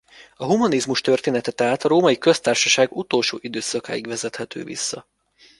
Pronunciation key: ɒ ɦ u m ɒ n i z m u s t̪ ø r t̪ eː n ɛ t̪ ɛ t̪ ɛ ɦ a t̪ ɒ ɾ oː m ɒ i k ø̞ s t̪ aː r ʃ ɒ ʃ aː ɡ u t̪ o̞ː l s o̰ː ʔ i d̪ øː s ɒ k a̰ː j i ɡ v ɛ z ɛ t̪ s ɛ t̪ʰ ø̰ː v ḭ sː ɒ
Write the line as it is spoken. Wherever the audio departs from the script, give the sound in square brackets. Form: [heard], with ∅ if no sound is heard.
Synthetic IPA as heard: ɒ ɦ u m ɒ n i z m u [ʃ] t̪ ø r t̪ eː n ɛ t̪ ɛ t̪ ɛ ɦ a t̪ ɒ ɾ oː m ɒ i k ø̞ s t̪ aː r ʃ ɒ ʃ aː ɡ u t̪ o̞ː l [ʃ] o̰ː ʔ i d̪ øː s ɒ k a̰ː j i ɡ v ɛ z ɛ t̪ [h] ɛ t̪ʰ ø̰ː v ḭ sː ɒ